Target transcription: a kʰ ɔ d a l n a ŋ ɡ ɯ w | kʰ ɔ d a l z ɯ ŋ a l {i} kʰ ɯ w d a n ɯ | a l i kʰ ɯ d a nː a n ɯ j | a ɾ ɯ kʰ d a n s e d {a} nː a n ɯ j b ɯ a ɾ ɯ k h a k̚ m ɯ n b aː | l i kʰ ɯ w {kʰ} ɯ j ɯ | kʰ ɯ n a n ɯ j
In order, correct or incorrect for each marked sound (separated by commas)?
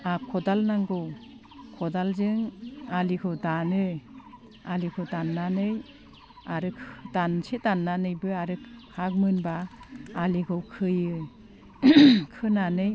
correct, correct, correct